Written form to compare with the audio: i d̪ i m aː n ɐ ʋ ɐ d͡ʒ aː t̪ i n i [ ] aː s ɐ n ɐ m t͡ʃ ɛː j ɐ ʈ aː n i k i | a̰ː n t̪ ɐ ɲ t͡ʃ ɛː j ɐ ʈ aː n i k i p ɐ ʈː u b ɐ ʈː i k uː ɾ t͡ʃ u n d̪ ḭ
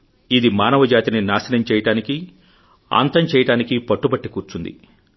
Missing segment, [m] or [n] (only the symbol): n